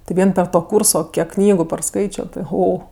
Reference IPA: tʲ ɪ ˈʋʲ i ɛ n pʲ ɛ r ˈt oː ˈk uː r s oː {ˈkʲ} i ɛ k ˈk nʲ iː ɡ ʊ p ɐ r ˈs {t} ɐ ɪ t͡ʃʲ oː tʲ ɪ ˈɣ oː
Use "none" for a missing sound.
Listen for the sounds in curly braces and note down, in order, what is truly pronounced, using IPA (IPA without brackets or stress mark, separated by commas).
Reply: kʲ, k